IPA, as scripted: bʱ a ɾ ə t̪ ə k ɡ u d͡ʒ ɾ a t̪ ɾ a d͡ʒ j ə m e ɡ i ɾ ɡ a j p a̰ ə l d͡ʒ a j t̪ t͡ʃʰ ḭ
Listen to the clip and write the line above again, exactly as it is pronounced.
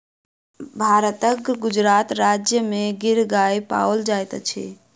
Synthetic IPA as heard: bʱ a ɾ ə t̪ ə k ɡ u d͡ʒ ɾ a t̪ ɾ a d͡ʒ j ə m e ɡ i ɾ ɡ a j p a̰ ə l d͡ʒ a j t̪ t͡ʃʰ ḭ